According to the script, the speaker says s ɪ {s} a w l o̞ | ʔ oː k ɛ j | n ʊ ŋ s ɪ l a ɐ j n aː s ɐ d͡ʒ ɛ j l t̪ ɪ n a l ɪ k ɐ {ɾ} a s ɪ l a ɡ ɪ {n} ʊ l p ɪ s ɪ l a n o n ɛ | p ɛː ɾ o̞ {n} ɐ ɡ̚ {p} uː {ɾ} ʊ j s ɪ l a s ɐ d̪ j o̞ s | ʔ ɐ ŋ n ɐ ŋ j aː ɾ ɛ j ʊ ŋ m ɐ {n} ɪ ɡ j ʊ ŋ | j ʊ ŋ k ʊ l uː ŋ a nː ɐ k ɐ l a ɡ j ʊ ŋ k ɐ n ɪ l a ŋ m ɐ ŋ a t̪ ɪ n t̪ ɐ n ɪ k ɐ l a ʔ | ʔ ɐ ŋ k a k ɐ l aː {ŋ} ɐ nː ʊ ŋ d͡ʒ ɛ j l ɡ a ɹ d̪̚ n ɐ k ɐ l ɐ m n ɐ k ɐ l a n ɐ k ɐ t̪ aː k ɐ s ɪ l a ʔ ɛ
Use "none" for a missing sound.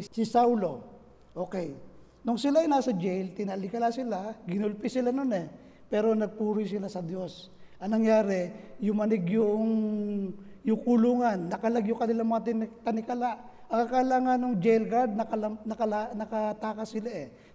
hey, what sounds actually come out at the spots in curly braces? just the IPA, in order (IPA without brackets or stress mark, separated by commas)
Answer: s, l, n, n, p, ɾ, n, ŋ